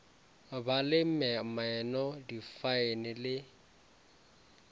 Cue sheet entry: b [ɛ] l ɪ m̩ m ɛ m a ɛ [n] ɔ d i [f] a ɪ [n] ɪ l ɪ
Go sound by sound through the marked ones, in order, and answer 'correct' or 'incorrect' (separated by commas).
incorrect, correct, correct, correct